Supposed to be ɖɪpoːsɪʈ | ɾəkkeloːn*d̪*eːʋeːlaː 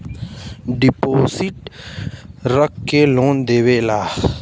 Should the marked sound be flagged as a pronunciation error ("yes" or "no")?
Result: no